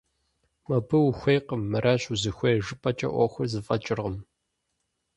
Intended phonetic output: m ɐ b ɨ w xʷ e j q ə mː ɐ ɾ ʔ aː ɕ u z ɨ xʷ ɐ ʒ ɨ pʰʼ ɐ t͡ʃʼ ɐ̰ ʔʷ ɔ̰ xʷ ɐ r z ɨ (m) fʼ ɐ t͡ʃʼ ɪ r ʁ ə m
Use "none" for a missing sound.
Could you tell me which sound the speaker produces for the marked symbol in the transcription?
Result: none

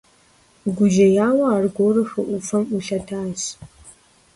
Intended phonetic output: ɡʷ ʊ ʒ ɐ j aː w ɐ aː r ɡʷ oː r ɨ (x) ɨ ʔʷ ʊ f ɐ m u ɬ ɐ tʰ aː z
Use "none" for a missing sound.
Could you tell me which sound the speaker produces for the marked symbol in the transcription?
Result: x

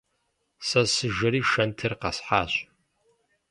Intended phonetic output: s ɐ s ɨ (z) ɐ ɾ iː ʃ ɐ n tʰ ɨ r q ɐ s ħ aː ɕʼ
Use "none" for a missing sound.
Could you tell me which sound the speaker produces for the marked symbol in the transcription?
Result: ʒ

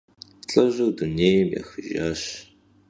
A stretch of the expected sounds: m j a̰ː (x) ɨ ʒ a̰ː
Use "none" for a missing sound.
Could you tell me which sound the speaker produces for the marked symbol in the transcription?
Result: x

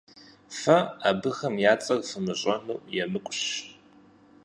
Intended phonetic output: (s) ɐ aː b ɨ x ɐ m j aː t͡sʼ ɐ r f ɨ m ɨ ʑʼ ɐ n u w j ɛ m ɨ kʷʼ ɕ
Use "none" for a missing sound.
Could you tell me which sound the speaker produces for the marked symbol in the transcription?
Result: f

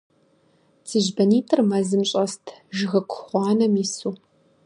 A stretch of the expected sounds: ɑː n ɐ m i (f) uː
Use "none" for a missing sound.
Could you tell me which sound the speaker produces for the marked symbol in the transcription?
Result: s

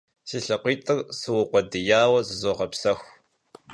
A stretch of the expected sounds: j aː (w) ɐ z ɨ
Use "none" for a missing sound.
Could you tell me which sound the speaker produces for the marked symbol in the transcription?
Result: w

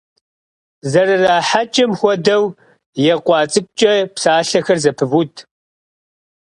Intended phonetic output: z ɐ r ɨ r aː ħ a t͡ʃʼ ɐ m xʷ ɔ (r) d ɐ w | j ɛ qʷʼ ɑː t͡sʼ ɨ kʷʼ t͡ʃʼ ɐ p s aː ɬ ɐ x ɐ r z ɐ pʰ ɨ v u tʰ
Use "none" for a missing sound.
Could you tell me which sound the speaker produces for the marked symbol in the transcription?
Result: none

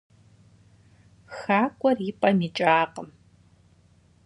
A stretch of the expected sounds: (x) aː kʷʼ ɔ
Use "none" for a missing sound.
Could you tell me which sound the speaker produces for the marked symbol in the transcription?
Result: x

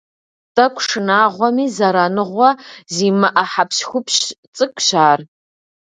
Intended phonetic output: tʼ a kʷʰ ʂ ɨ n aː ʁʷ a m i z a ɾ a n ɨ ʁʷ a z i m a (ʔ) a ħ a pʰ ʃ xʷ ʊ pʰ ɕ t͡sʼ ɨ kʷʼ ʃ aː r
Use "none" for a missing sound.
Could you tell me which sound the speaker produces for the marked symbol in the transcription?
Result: ʔ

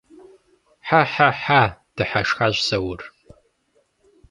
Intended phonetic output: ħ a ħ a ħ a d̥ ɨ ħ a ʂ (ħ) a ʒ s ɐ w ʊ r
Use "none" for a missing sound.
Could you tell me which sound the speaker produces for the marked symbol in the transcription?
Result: x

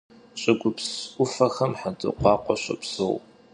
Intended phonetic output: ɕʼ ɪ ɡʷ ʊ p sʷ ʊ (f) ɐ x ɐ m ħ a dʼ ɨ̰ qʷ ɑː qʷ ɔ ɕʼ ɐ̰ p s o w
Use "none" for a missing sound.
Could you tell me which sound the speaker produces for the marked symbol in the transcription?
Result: f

